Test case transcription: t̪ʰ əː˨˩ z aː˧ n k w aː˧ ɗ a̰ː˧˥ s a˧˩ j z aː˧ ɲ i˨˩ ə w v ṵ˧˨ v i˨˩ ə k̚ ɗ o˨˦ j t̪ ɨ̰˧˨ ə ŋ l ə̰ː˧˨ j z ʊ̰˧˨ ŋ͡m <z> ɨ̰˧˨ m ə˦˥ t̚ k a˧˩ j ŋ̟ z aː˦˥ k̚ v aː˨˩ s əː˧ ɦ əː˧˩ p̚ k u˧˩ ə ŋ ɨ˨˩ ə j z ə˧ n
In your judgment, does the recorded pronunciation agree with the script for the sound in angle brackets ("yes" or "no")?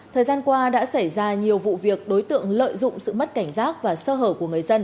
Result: no